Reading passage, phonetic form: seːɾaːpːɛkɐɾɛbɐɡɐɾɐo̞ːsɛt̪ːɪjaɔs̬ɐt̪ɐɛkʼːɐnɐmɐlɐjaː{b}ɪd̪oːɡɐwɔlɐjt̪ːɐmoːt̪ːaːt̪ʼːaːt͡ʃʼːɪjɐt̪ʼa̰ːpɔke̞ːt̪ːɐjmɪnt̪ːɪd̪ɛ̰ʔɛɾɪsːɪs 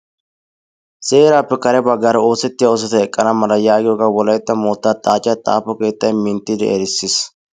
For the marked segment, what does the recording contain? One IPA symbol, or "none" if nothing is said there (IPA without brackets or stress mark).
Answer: ɡ